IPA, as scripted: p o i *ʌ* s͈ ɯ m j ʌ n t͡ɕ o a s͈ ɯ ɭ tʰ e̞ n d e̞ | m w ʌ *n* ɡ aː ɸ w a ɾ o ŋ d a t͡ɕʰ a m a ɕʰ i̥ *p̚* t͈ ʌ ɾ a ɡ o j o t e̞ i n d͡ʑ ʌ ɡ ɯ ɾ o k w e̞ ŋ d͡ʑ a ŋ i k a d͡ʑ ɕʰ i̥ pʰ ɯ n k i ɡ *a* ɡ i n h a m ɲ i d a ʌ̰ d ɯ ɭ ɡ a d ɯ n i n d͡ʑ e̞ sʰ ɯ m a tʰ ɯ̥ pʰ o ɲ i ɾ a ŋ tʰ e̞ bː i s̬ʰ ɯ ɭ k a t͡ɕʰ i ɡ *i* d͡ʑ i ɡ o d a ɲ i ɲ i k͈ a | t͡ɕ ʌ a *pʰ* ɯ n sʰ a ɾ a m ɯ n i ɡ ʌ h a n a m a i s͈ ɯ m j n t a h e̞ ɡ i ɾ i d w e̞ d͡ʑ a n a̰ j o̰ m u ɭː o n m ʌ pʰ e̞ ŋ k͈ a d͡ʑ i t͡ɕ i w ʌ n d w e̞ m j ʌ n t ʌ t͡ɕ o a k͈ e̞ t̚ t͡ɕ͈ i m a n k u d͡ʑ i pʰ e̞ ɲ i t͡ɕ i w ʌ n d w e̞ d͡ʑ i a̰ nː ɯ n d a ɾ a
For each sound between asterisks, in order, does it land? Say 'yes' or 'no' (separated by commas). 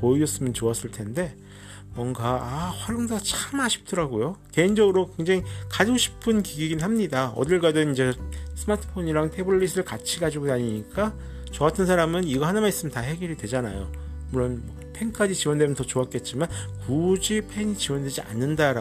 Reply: yes, no, yes, no, no, no